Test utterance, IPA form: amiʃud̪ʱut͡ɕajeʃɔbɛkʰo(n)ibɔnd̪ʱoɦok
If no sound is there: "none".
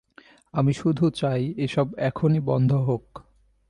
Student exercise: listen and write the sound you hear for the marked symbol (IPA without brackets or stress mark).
n